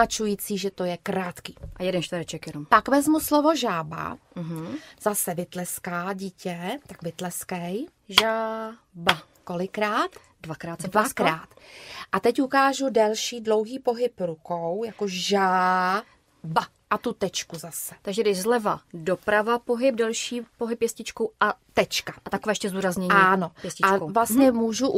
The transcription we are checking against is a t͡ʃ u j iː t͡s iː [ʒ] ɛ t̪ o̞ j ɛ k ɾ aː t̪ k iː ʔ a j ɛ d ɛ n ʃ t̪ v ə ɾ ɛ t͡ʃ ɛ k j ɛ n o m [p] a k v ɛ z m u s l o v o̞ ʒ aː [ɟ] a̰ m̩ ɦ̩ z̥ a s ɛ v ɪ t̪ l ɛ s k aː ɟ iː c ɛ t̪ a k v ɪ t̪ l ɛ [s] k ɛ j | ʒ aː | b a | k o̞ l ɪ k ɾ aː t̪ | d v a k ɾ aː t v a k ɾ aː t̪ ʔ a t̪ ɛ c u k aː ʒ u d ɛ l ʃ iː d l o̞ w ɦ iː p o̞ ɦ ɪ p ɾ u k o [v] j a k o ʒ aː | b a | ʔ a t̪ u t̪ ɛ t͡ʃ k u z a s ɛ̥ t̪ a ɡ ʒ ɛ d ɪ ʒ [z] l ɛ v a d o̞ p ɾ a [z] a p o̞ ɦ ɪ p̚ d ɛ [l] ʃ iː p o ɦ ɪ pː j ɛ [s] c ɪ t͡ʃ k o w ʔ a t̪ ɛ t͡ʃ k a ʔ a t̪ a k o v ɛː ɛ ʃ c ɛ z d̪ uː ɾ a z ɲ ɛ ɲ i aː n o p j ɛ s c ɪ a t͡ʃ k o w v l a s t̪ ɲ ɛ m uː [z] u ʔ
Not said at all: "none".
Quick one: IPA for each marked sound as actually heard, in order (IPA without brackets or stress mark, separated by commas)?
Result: ʒ, p, b, s, w, z, v, l, s, ʒ